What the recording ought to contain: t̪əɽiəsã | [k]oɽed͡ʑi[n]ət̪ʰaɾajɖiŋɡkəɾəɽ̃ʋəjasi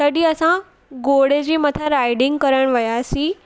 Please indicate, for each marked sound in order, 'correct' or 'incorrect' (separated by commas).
incorrect, incorrect